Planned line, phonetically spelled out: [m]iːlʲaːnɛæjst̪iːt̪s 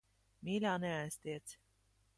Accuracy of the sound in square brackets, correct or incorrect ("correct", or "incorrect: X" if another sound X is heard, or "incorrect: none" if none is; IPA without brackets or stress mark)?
correct